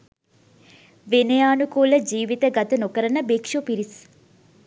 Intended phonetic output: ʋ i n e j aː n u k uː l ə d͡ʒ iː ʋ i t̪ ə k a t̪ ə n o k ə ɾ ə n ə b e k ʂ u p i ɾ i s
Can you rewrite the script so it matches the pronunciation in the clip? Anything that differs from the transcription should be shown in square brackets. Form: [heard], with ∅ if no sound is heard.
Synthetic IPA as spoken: ʋ [e] n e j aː n u k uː l ə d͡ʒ iː ʋ i t̪ ə [ɡ] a t̪ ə n o k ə ɾ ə n ə b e k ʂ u p i ɾ i s